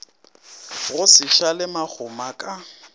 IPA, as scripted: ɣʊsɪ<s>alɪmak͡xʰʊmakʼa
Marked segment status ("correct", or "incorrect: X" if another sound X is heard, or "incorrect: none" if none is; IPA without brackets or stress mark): incorrect: ʃ